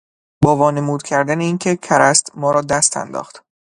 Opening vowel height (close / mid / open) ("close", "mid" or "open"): open